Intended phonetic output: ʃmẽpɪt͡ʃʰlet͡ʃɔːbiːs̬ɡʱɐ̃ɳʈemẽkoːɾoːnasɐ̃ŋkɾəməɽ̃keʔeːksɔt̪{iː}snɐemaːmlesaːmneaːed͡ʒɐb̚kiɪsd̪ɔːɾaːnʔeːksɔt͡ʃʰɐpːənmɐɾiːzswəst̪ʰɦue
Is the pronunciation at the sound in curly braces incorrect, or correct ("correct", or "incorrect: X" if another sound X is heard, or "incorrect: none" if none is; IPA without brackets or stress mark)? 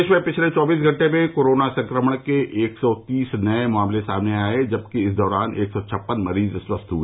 correct